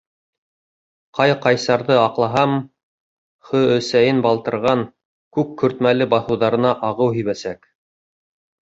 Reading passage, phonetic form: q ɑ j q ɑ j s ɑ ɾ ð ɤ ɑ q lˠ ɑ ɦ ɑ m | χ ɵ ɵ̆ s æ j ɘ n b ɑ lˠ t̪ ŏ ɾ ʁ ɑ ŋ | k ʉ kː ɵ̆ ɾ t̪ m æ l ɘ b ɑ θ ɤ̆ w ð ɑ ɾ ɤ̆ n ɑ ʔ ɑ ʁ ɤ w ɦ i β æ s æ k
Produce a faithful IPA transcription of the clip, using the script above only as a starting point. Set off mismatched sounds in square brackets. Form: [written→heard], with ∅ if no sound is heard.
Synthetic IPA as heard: q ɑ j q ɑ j s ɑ ɾ ð ɤ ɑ q lˠ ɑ ɦ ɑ m | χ ɵ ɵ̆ s æ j ɘ n b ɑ lˠ t̪ [ŏ→ɤ̆] ɾ ʁ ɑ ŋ | k ʉ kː ɵ̆ ɾ t̪ m æ l ɘ b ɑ θ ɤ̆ w ð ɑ ɾ ɤ̆ n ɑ ʔ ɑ ʁ ɤ w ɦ i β æ s æ k